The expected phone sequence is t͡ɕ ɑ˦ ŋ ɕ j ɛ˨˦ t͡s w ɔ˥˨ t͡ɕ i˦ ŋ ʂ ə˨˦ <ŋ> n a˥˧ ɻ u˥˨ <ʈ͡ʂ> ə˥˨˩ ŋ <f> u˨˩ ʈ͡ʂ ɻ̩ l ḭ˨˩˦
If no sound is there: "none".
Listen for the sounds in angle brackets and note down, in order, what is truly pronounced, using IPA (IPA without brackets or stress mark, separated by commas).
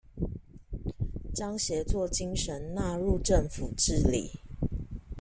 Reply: n, ʈ͡ʂ, f